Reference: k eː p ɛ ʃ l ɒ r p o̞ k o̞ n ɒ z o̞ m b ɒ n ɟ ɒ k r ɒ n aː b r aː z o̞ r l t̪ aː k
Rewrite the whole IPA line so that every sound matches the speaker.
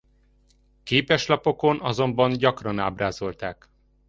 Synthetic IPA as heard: k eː p ɛ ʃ l ɒ p o̞ k o̞ n ɒ z o̞ m b ɒ n ɟ ɒ k r ɒ n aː b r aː z o̞ l t̪ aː k